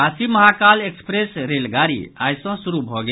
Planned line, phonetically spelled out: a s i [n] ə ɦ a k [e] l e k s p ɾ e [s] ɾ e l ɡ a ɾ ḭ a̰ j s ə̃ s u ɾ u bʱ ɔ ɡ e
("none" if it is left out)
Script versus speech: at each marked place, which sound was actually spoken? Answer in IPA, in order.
m, a, s

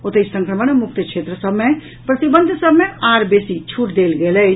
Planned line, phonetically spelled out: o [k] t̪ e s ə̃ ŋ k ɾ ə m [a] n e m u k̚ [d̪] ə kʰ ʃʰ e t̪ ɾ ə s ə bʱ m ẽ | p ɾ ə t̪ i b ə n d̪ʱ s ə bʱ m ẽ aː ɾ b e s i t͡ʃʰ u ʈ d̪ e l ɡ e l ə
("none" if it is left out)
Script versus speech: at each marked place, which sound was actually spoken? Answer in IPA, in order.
none, ə, t̪

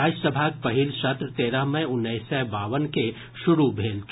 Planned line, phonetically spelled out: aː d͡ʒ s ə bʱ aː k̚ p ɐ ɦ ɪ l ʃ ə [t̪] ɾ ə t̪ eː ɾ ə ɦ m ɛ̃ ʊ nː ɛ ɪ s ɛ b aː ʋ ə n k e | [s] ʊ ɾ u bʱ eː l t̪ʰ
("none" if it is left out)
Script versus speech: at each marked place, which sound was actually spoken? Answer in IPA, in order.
t̪, ʃ

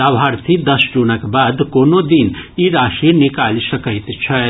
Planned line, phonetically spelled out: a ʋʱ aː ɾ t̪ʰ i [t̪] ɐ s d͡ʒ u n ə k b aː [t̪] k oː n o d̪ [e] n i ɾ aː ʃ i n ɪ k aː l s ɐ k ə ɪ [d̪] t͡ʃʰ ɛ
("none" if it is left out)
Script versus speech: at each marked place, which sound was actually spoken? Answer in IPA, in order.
d̪, d̪, i, t̪

